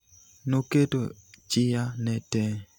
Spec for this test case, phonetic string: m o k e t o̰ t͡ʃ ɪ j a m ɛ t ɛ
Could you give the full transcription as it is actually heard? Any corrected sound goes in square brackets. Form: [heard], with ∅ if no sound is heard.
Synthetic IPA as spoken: [n] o k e t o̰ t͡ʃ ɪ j a [n] ɛ t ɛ